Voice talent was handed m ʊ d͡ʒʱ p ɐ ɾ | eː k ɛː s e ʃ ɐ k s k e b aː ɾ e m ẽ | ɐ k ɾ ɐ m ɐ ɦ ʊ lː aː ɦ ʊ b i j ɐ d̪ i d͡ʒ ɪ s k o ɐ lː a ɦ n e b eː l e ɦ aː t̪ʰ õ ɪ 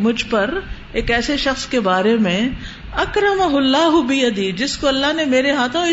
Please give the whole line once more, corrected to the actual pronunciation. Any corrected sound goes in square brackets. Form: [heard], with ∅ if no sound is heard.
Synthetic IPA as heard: m ʊ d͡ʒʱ p ɐ ɾ | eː k ɛː s e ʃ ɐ [x] s k e b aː ɾ e m ẽ | ɐ k ɾ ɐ m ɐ ɦ ʊ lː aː ɦ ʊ b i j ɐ d̪ i d͡ʒ ɪ s k o ɐ lː a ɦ n e [m] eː [ɾ] e ɦ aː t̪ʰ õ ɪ